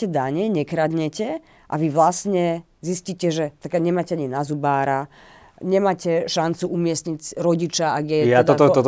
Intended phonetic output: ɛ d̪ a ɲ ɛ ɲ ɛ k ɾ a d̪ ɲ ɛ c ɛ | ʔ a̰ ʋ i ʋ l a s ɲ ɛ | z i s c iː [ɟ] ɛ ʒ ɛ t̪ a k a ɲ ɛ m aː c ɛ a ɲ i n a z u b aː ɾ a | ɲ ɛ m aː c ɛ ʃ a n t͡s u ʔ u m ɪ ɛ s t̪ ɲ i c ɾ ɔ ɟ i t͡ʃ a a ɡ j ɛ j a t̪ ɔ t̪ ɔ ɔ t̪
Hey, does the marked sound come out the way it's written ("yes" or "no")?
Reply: no